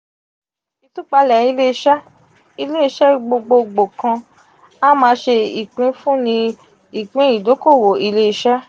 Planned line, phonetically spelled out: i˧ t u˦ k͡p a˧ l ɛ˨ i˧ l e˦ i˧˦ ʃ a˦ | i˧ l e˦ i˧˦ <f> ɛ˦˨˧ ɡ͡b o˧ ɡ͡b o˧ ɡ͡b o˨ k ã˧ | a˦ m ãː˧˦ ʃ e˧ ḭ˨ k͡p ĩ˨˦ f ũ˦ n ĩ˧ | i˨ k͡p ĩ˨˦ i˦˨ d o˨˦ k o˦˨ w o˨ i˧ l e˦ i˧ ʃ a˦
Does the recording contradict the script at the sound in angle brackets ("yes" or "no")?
yes